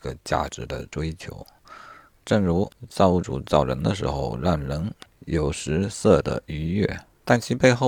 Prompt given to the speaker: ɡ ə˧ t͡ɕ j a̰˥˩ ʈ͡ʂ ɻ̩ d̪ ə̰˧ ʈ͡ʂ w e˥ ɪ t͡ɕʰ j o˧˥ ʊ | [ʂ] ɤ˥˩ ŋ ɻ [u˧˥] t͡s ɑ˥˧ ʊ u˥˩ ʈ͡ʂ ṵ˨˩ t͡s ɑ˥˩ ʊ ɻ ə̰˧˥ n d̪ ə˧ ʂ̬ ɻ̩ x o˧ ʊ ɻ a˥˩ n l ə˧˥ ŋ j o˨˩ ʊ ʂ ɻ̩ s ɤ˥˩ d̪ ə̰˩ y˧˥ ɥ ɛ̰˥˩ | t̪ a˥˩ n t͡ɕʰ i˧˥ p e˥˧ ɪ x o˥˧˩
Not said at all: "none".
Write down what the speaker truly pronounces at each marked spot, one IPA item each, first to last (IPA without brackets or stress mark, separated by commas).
ʈ͡ʂ, u˧˥